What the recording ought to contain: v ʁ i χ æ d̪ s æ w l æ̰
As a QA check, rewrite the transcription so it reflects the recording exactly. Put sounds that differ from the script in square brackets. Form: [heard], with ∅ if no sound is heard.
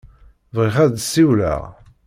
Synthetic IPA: v ʁ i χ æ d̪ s [i] w l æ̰